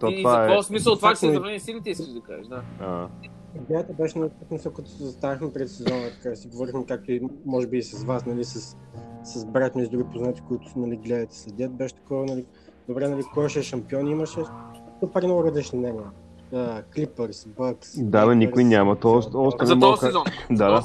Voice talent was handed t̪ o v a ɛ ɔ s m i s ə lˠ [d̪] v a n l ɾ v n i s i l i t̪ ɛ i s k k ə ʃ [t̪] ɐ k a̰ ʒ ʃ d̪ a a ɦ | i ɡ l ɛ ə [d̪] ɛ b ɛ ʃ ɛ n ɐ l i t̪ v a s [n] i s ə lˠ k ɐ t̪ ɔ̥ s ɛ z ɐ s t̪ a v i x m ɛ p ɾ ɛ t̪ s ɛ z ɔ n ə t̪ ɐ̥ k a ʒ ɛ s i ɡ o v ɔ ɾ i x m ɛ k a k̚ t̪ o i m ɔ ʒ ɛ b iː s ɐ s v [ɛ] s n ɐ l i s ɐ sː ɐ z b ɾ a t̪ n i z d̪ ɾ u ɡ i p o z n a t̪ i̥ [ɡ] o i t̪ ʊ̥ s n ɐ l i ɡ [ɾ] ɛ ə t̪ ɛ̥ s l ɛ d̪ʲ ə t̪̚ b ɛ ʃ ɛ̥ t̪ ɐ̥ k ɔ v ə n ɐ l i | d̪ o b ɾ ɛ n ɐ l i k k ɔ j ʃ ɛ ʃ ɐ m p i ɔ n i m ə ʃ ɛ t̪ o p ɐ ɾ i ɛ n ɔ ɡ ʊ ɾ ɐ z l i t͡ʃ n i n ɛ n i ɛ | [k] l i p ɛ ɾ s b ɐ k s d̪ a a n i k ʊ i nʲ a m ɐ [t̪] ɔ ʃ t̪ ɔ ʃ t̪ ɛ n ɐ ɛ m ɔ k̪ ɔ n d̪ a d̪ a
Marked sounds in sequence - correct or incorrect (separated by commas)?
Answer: incorrect, incorrect, incorrect, incorrect, incorrect, incorrect, incorrect, correct, correct